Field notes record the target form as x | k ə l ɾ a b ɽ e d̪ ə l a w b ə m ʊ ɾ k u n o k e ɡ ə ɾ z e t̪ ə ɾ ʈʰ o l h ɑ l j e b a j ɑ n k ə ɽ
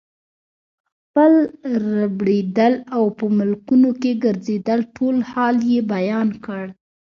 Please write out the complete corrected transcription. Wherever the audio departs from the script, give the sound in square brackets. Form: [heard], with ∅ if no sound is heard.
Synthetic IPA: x | [p] ə l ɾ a b ɽ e d̪ ə l a w [p] ə m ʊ [l] k u n o k e ɡ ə ɾ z e [d̪] ə [l] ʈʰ o l h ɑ l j e b a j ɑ n k ə ɽ